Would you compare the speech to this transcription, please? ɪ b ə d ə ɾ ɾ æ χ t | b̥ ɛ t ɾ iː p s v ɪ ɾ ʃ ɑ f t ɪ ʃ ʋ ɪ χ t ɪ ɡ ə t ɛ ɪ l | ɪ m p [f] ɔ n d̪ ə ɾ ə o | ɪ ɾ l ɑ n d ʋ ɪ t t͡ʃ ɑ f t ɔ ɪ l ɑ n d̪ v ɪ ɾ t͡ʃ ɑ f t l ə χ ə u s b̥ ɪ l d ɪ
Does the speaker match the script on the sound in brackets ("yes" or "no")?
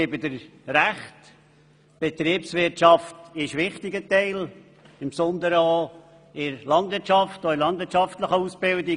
no